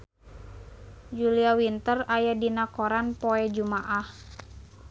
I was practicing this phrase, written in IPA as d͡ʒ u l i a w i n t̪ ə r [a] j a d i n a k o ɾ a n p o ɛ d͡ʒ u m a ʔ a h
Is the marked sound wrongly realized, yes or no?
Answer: no